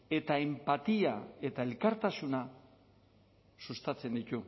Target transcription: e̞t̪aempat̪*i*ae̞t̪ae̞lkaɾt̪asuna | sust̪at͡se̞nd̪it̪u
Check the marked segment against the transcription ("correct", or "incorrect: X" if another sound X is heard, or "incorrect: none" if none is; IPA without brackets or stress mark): correct